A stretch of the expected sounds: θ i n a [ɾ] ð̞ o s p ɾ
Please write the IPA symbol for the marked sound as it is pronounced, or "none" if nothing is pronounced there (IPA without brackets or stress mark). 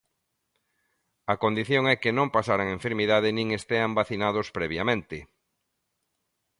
none